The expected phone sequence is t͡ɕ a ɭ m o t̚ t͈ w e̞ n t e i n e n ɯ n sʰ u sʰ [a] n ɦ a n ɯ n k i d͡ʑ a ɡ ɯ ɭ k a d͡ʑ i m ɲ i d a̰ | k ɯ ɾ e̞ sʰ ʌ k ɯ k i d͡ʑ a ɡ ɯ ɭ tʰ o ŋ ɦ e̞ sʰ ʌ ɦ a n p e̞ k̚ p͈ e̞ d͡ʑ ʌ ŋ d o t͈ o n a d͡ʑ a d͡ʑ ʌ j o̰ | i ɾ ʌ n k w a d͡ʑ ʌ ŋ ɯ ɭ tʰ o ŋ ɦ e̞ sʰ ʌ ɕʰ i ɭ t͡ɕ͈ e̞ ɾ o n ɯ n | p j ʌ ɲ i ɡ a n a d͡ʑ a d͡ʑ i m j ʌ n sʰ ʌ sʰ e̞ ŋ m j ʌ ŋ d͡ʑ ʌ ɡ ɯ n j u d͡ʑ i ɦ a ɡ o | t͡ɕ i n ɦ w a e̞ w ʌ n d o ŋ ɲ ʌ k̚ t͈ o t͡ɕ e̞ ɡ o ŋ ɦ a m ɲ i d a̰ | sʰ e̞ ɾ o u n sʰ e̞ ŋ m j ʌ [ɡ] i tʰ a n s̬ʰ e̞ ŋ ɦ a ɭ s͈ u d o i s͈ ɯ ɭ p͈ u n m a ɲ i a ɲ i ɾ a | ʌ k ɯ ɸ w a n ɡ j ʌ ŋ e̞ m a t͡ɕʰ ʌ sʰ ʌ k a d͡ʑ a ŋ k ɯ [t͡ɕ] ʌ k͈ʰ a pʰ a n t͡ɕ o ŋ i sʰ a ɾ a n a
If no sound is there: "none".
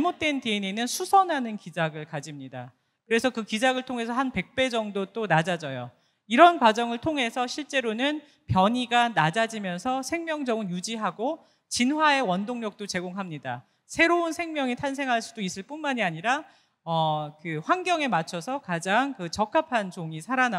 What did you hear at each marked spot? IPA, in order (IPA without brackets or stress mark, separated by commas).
ʌ, ŋ, t͡ɕ